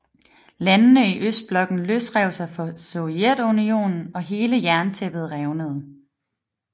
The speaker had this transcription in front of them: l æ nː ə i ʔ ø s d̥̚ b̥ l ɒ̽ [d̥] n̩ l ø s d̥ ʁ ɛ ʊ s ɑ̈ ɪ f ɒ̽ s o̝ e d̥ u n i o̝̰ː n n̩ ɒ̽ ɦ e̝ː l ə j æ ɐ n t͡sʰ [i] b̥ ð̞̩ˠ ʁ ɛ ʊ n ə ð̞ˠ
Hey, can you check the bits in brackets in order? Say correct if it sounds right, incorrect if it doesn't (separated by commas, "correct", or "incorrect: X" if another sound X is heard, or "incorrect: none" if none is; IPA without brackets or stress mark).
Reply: incorrect: ɡ̥, incorrect: e